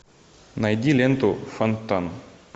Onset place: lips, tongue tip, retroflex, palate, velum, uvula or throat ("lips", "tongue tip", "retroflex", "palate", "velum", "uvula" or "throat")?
tongue tip